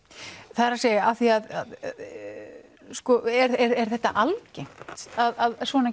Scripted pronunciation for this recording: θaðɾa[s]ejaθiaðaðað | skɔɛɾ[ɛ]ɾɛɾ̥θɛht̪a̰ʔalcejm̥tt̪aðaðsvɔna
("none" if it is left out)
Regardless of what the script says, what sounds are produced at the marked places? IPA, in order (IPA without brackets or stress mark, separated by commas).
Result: s, ɛ